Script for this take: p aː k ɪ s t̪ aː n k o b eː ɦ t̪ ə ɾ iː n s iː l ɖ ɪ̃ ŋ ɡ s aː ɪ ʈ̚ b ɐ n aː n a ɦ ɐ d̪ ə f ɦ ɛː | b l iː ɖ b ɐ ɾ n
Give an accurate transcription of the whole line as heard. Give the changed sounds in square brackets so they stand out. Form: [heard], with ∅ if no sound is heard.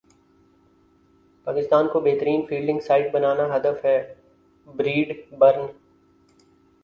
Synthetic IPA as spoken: p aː k ɪ s t̪ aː n k o b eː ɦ t̪ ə ɾ iː n [f] iː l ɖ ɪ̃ ŋ ɡ s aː ɪ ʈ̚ b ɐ n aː n a ɦ ɐ d̪ ə f ɦ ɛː | b [ɾ] iː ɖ b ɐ ɾ n

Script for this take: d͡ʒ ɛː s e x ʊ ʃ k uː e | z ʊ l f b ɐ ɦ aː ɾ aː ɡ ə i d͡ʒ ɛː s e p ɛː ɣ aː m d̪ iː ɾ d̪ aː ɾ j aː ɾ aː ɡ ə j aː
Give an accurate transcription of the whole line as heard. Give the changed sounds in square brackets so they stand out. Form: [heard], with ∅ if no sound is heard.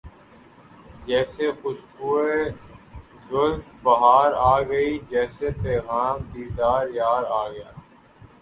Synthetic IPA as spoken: d͡ʒ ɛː s e x ʊ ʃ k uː e | z ʊ l f b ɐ ɦ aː ɾ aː ɡ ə i d͡ʒ ɛː s e p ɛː ɣ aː m d̪ iː ɾ d̪ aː ɾ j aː ɾ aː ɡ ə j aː

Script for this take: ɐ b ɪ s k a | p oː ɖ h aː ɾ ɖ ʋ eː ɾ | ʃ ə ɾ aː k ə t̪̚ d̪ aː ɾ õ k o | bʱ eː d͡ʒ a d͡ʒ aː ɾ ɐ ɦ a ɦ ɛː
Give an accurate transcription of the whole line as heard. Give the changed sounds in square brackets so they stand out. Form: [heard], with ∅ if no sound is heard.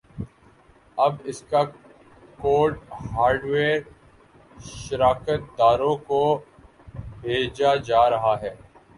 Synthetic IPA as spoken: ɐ b ɪ s k a | [k] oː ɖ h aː ɾ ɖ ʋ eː ɾ | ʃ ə ɾ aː k ə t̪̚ d̪ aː ɾ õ k o | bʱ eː d͡ʒ a d͡ʒ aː ɾ ɐ ɦ a ɦ ɛː

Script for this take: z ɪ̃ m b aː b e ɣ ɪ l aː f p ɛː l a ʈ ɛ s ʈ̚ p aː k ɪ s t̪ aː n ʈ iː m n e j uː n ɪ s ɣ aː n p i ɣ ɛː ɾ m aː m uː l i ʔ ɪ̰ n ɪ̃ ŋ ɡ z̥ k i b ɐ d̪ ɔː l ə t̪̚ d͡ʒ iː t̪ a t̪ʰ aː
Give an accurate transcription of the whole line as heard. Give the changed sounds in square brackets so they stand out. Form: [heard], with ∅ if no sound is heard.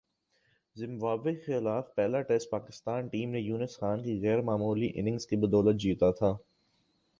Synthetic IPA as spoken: z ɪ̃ m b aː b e [x] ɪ l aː f p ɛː l a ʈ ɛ s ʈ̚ p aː k ɪ s t̪ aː n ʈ iː m n e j uː n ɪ s [x] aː n [k] i ɣ ɛː ɾ m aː m uː l i ʔ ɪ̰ n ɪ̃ ŋ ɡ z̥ k i b ɐ d̪ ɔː l ə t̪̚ d͡ʒ iː t̪ a t̪ʰ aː

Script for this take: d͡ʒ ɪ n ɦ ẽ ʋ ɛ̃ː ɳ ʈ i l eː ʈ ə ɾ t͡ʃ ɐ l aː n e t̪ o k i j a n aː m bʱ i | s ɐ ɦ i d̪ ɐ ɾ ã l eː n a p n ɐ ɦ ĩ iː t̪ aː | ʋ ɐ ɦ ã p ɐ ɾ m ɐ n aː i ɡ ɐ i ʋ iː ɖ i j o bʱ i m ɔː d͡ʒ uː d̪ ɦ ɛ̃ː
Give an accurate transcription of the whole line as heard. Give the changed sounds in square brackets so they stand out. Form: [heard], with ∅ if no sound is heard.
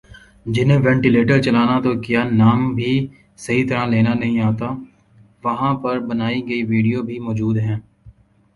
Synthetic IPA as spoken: d͡ʒ ɪ n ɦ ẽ ʋ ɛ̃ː ɳ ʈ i l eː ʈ ə ɾ t͡ʃ ɐ l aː n [a] t̪ o k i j a n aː m bʱ i | s ɐ ɦ i [t̪] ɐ ɾ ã l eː n a [∅] n ɐ ɦ ĩ [aː] t̪ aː | ʋ ɐ ɦ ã p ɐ ɾ [b] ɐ n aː i ɡ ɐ i ʋ iː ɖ i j o bʱ i m ɔː d͡ʒ uː d̪ ɦ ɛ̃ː

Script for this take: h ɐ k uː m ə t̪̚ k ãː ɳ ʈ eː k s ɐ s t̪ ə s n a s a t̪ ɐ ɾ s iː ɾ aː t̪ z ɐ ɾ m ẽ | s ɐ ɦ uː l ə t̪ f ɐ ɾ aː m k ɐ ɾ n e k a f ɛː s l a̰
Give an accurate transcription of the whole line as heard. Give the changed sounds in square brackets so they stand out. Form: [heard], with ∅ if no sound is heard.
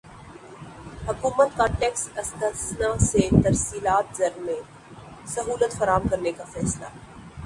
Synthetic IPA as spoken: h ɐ k uː m ə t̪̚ k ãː ɳ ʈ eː k s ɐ s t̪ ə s n a s [e] t̪ ɐ ɾ s iː [l] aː t̪ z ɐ ɾ m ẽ | s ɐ ɦ uː l ə t̪ f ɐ ɾ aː m k ɐ ɾ n e k a f ɛː s l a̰

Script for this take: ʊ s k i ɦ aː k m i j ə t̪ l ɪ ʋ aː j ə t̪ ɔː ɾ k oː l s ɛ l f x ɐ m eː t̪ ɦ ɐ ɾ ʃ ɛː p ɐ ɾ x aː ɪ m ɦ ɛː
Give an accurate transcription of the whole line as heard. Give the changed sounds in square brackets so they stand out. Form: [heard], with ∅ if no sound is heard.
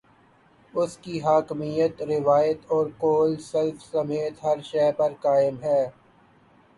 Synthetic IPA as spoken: ʊ s k i ɦ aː k m i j ə t̪ [ɾ] ɪ ʋ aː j ə t̪ ɔː ɾ k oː l s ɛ l f [s] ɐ m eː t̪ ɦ ɐ ɾ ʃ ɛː p ɐ ɾ [k] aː ɪ m ɦ ɛː

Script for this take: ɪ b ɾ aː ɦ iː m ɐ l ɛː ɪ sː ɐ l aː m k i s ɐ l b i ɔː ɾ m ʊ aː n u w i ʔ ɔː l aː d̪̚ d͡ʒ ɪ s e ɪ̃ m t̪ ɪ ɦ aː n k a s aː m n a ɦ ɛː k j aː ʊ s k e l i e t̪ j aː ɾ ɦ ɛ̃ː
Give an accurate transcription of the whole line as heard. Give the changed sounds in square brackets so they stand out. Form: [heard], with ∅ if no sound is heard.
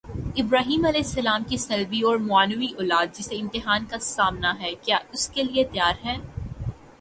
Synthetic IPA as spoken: ɪ b ɾ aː ɦ iː m ɐ l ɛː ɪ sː ɐ l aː m k i s ɐ l b i ɔː ɾ m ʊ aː n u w i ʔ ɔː l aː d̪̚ d͡ʒ ɪ s e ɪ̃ m t̪ ɪ ɦ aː n k a s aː m n a ɦ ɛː k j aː ʊ s k e l i e t̪ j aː ɾ ɦ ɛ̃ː

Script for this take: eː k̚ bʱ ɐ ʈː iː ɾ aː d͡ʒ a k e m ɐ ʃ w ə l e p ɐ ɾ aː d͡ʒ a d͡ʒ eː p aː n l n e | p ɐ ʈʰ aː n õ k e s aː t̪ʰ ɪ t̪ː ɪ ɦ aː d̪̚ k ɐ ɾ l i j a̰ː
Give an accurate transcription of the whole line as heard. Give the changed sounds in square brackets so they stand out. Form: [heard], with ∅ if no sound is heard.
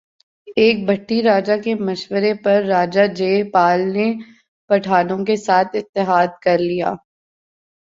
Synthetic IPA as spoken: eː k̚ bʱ ɐ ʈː [i] ɾ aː d͡ʒ a k e m ɐ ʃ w ə [ɾ] e p ɐ [ɾː] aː d͡ʒ a d͡ʒ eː p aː [∅] l n e | p ɐ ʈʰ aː n õ k e s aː t̪ʰ ɪ t̪ː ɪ ɦ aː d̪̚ k ɐ ɾ l i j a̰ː

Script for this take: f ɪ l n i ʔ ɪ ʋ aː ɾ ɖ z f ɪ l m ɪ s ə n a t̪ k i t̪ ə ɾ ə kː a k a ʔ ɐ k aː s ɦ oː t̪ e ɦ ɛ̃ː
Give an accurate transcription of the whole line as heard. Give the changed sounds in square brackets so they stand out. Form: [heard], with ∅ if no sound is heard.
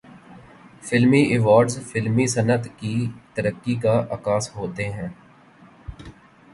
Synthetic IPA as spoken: f ɪ l [m] i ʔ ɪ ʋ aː ɾ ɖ z f ɪ l m [i] s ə n [ə] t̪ k i t̪ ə ɾ ə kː [i] k a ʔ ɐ k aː s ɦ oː t̪ e ɦ ɛ̃ː

